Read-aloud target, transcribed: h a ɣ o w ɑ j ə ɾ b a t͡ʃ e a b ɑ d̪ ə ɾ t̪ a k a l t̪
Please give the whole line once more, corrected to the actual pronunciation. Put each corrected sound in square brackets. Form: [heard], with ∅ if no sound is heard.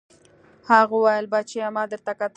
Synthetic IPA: h a ɣ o w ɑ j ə [l] b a t͡ʃ e a [m] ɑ d̪ ə ɾ t̪ a k a [∅] t̪